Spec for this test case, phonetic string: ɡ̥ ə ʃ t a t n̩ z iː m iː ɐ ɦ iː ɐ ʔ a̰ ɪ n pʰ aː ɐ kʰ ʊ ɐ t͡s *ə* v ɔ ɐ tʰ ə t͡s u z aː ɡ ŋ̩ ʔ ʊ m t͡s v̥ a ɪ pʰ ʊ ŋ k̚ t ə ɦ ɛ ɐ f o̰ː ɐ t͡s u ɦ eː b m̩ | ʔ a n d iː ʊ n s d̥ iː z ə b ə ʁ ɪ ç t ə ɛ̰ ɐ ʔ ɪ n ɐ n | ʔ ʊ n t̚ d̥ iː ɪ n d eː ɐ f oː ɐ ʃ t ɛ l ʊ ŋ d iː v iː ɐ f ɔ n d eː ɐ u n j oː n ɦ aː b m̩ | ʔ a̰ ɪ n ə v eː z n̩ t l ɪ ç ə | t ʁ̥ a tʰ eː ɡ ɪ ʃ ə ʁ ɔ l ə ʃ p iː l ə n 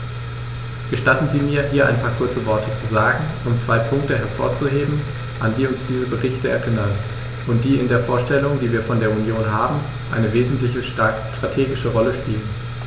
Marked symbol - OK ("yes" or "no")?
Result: yes